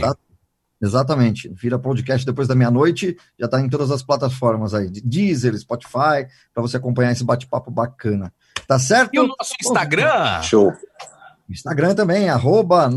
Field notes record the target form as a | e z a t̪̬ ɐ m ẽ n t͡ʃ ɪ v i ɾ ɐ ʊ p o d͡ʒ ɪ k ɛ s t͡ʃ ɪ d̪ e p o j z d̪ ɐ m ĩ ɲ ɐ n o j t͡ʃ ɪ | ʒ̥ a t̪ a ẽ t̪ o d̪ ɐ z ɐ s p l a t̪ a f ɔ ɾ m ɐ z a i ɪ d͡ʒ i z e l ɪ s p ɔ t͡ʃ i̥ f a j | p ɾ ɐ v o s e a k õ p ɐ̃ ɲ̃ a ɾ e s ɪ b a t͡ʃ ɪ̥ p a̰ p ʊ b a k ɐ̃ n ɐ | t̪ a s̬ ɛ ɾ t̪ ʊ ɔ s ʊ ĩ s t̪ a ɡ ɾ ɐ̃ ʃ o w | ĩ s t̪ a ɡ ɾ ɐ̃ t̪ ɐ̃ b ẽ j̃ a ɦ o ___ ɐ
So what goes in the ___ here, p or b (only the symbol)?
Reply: b